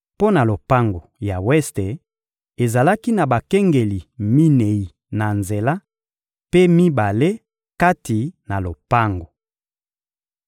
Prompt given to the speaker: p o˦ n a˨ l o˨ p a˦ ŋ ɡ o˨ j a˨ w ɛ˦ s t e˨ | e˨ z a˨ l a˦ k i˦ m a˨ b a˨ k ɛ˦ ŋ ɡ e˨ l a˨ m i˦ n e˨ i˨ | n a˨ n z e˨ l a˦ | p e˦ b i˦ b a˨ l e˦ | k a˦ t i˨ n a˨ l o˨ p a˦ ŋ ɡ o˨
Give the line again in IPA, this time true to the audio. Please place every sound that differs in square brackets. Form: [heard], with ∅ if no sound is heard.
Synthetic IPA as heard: p o˦ n a˨ l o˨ p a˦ ŋ ɡ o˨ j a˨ w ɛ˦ s t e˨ | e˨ z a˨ l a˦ k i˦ [n] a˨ b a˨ k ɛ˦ ŋ ɡ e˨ l [i˨] m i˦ n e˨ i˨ | n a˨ n z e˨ l a˦ | p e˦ [m] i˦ b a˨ l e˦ | k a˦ t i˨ n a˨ l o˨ p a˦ ŋ ɡ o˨